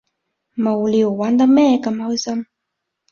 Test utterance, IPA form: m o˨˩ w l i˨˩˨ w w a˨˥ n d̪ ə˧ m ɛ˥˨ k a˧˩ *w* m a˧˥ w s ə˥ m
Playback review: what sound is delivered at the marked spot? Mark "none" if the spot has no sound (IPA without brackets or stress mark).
none